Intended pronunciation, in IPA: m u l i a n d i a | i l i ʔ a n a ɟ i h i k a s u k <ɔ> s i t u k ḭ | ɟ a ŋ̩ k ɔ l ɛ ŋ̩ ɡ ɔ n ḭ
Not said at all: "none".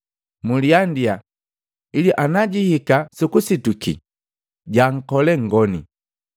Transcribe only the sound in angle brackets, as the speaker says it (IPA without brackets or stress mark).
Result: u